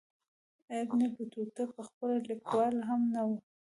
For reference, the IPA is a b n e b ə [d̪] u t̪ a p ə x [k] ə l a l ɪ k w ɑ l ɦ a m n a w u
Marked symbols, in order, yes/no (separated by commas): no, no